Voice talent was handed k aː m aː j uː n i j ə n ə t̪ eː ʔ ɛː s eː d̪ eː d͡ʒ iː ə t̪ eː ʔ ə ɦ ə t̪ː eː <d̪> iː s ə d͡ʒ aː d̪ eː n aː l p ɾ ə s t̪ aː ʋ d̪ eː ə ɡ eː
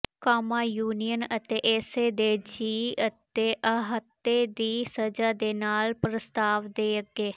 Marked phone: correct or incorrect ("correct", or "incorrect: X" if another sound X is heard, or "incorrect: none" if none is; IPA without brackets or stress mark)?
correct